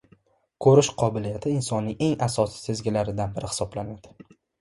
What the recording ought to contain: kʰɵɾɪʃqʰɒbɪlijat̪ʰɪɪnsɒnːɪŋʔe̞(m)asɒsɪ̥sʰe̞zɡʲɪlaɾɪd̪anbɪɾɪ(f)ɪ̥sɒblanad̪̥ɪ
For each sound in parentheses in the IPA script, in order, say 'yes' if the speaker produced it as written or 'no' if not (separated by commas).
no, no